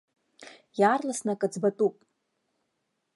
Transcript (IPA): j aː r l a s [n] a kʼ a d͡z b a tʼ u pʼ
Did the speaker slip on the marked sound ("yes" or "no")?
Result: no